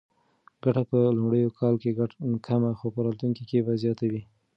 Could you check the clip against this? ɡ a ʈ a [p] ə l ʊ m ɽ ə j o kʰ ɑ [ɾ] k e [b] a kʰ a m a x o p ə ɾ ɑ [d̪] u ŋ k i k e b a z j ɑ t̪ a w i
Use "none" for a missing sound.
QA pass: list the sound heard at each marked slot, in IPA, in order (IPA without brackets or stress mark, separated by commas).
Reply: p, l, ɡ, t̪